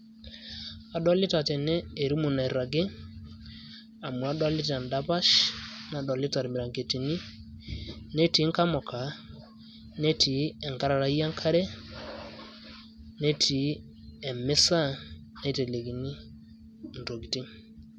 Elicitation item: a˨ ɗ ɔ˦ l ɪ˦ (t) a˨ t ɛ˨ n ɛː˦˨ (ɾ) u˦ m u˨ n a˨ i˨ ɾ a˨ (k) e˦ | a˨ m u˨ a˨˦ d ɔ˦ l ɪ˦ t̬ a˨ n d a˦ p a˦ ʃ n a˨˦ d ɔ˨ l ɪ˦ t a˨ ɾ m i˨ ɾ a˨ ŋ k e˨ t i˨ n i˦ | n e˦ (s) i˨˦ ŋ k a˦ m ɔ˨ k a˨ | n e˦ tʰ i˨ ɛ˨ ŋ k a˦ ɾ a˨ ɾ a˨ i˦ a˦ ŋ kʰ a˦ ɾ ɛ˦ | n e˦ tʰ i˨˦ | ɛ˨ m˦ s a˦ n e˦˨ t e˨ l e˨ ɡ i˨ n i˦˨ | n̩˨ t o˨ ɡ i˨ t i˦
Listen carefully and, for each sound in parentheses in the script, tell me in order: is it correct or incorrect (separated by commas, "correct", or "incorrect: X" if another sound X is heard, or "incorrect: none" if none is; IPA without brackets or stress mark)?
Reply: correct, correct, incorrect: ɡ, incorrect: t